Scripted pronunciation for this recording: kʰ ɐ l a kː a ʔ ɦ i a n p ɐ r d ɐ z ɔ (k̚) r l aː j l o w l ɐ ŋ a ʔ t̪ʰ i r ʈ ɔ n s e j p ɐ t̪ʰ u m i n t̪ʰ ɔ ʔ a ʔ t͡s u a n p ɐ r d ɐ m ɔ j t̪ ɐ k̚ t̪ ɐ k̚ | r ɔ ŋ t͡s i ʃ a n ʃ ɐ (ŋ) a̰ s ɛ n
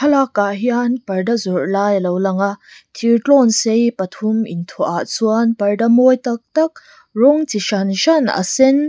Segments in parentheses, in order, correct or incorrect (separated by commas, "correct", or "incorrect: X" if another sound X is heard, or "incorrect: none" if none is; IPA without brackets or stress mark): incorrect: none, incorrect: n